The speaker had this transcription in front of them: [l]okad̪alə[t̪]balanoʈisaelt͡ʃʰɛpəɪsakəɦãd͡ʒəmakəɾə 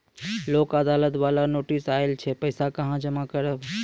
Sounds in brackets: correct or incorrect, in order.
correct, correct

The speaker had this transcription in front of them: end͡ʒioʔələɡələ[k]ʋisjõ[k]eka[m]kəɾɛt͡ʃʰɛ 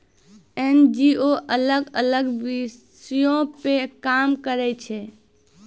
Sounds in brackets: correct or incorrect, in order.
incorrect: ɡ, incorrect: p, correct

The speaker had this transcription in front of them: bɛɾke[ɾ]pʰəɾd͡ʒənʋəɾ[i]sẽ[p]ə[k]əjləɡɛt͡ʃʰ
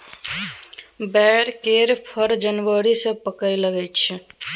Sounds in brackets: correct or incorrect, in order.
correct, correct, correct, correct

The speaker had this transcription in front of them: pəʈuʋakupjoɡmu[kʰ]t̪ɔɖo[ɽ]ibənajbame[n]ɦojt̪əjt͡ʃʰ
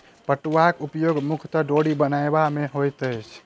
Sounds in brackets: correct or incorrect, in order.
correct, correct, incorrect: none

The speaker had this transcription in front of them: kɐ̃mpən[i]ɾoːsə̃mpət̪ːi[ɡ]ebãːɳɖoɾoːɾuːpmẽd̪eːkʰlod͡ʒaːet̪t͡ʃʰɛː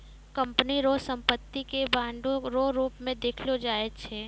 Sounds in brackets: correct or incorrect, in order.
correct, incorrect: k

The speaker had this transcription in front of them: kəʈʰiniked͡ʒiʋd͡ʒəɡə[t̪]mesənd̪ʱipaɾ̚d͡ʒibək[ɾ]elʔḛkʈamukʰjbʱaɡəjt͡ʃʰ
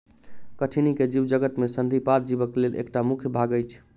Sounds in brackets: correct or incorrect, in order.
correct, incorrect: l

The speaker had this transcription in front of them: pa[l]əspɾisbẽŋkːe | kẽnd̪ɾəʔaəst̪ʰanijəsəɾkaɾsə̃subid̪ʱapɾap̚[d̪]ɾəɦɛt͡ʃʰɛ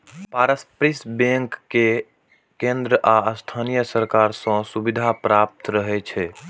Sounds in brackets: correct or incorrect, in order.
incorrect: ɾ, incorrect: t̪

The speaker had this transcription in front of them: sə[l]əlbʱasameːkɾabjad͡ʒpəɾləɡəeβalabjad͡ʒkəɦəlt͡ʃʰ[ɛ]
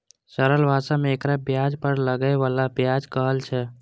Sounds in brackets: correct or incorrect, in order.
incorrect: ɾ, correct

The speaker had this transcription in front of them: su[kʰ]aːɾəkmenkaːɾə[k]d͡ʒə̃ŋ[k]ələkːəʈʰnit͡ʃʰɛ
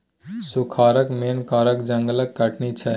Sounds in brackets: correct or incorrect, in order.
correct, correct, incorrect: ɡ

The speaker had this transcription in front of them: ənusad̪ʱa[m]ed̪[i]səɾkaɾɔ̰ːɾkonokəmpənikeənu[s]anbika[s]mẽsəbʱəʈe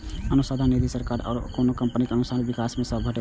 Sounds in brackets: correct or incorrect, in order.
incorrect: n, correct, correct, correct

